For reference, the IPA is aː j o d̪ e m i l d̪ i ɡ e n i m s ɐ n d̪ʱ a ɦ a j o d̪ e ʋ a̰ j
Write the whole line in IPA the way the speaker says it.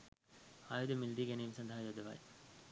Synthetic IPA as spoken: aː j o d̪ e m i l d̪ i ɡ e n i m s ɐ n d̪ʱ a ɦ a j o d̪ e ʋ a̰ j

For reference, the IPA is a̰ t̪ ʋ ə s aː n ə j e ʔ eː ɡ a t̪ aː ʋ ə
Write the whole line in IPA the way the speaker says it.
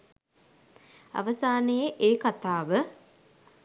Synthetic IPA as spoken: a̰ ʋ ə s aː n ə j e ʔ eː k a t̪ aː ʋ ə

